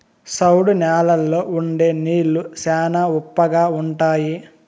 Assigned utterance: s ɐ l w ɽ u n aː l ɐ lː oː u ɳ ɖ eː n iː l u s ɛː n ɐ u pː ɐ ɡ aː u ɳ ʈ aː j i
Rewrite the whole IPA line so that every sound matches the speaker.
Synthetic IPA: s ɐ w ɽ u n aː l ɐ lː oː u ɳ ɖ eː n iː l u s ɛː n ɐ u pː ɐ ɡ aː u ɳ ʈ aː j i